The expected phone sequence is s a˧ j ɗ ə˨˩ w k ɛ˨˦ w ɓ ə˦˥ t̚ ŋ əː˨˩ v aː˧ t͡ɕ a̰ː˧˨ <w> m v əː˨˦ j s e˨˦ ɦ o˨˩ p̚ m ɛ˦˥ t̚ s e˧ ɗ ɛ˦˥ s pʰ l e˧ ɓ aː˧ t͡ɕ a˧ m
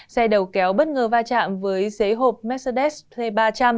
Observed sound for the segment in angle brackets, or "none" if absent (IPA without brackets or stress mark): none